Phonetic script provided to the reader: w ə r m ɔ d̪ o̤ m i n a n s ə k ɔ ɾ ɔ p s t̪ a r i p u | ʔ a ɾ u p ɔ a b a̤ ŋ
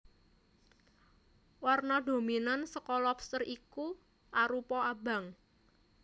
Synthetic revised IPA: w a r n ɔ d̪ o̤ m i n a n s ə k ɔ l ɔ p s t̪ ə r i k u | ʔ a ɾ u p ɔ a b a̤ ŋ